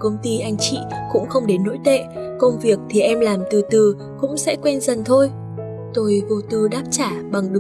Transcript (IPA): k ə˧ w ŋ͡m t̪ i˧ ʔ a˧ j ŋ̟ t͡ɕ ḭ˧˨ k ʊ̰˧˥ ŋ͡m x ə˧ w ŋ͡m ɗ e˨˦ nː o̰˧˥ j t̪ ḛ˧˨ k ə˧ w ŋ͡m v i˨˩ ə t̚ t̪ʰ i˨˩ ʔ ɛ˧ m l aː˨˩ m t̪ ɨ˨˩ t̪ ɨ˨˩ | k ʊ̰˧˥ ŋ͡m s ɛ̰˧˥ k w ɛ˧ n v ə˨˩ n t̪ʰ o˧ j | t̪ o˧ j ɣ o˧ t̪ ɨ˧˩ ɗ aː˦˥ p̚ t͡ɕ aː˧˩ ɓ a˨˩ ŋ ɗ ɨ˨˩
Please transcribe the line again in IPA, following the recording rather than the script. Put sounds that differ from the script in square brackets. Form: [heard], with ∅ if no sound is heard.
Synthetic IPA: k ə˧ w ŋ͡m t̪ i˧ ʔ a˧ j ŋ̟ t͡ɕ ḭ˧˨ k ʊ̰˧˥ ŋ͡m x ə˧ w ŋ͡m ɗ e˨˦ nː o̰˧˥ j t̪ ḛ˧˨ k ə˧ w ŋ͡m v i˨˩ ə [k̚] t̪ʰ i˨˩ ʔ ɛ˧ m l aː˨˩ m t̪ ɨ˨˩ t̪ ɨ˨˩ | k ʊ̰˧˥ ŋ͡m s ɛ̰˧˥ k w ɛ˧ n [z] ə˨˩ n t̪ʰ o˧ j | t̪ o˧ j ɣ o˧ t̪ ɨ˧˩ ɗ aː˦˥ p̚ t͡ɕ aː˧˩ ɓ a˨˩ ŋ ɗ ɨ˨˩